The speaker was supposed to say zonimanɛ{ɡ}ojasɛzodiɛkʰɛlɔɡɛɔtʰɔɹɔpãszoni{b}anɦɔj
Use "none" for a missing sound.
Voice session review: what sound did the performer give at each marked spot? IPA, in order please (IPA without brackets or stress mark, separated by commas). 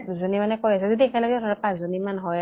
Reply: k, m